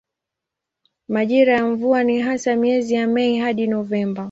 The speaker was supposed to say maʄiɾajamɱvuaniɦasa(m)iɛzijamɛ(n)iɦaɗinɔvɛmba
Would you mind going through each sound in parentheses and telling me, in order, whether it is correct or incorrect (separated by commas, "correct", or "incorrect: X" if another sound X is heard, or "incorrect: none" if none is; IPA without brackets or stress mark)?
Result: correct, incorrect: none